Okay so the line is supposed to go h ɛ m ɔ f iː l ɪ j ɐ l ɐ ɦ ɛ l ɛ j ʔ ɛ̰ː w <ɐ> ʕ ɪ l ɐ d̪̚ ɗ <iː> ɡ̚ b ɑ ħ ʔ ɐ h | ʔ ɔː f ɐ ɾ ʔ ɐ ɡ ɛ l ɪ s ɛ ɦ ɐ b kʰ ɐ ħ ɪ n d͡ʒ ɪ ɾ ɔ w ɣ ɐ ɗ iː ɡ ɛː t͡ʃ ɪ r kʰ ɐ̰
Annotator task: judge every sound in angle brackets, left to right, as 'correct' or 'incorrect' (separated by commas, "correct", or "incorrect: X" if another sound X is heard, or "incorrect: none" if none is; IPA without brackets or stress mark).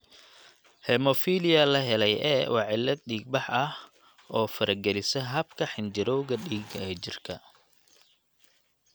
incorrect: ɑ, correct